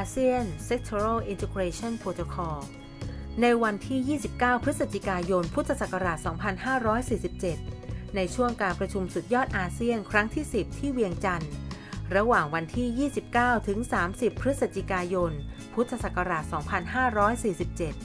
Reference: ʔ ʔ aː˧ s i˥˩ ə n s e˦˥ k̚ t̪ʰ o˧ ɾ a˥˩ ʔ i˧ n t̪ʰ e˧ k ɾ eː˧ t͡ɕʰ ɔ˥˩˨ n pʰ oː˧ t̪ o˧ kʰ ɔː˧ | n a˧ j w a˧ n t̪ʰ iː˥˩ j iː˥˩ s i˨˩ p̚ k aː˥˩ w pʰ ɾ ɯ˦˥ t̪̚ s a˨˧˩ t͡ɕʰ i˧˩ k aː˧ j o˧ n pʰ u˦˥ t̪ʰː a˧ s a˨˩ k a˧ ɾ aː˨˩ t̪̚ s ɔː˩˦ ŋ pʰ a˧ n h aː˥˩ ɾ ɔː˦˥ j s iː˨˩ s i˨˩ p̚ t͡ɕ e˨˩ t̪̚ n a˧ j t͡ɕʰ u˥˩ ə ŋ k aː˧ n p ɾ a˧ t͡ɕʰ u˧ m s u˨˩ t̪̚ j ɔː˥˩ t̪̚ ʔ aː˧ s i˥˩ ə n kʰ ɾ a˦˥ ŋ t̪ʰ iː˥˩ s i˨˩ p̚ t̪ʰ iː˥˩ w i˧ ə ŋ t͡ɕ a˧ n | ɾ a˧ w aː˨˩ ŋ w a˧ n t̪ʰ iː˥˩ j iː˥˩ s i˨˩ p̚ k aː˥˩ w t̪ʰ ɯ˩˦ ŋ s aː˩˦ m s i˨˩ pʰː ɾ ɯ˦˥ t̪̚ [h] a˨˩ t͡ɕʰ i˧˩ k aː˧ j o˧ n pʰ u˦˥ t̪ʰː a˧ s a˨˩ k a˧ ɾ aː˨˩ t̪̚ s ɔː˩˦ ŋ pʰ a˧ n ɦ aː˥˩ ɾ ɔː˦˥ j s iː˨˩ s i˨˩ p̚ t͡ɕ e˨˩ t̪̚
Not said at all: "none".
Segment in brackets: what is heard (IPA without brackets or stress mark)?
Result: s